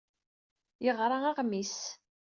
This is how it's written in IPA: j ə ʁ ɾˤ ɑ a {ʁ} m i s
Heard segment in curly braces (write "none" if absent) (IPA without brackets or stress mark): ʁ